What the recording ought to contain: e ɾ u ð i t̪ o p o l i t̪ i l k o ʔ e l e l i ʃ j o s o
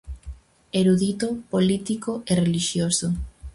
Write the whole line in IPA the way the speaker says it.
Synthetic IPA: e ɾ u ð i t̪ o p o l i t̪ i k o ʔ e r e l i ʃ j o s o

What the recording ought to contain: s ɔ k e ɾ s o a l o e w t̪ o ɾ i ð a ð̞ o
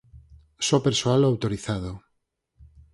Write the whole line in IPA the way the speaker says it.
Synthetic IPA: s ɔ p e ɾ s o a l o a w t̪ o ɾ i θ a ð̞ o

